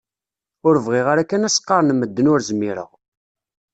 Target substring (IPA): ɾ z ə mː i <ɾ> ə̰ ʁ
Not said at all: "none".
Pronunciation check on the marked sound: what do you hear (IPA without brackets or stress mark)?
ɾ